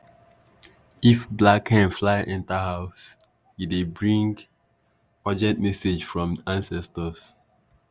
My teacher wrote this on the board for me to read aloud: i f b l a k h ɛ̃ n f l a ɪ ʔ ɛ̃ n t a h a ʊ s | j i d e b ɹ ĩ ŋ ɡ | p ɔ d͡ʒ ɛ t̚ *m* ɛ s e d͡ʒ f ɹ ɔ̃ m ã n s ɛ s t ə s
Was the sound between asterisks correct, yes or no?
yes